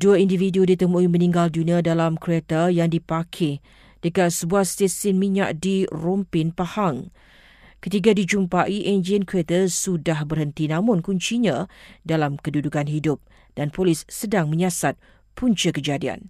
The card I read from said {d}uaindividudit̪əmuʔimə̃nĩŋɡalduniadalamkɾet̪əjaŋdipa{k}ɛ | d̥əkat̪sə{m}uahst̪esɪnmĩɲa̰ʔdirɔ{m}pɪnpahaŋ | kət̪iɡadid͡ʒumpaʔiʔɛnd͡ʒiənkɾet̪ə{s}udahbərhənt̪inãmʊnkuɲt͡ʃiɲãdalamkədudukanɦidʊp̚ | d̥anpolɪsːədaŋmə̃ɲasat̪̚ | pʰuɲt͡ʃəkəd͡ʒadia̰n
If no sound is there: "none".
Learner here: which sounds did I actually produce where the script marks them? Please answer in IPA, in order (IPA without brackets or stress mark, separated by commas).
d, kʰ, b, m, s